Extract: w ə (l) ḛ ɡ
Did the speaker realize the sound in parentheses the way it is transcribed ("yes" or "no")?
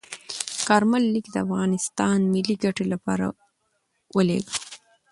yes